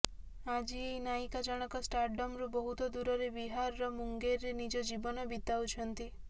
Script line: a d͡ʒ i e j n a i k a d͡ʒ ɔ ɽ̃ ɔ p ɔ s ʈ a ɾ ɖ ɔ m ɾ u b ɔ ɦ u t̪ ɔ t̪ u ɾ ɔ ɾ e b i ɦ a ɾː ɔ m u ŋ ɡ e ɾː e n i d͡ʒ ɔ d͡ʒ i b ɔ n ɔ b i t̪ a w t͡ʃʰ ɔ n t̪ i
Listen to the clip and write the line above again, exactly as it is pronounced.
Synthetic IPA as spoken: a d͡ʒ i e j n a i k a d͡ʒ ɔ ɽ̃ ɔ k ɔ s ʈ a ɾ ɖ ɔ m ɾ u b ɔ ɦ u t̪ ɔ d̪ u ɾ ɔ ɾ e b i ɦ a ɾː ɔ m u ŋ ɡ e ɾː e n i d͡ʒ ɔ d͡ʒ i b ɔ n ɔ b i t̪ a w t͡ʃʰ ɔ n t̪ i